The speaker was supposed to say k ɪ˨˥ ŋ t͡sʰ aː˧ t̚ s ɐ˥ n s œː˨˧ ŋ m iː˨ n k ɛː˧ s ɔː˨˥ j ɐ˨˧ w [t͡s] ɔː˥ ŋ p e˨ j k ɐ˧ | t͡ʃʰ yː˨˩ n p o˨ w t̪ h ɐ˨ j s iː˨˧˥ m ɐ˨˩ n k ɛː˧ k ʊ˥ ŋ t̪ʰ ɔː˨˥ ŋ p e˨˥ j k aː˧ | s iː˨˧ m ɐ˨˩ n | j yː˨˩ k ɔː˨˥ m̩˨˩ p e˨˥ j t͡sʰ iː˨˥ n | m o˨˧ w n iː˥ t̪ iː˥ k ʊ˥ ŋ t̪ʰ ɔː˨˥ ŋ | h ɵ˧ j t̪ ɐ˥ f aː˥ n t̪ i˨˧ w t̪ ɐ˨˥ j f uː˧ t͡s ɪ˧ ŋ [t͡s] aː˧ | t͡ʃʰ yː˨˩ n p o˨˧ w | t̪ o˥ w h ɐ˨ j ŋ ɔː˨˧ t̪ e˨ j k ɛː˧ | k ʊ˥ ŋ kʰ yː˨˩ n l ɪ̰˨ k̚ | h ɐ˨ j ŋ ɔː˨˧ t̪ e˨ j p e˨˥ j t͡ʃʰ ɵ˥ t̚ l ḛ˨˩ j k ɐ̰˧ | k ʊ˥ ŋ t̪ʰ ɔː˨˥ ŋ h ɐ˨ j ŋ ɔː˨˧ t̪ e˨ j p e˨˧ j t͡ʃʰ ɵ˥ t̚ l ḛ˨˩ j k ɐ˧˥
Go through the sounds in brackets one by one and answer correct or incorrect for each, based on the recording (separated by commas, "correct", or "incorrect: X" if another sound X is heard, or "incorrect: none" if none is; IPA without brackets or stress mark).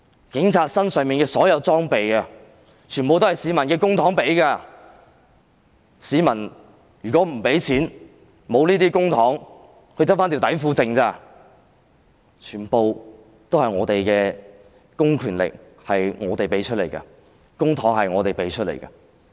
correct, correct